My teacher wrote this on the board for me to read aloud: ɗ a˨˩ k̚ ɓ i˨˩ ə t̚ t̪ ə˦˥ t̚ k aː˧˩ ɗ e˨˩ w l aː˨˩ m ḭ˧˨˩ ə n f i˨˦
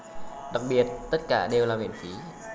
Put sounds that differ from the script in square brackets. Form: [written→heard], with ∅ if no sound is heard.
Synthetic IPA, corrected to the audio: ɗ a˨˩ k̚ ɓ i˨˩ ə t̚ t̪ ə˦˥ t̚ k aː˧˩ ɗ e˨˩ w l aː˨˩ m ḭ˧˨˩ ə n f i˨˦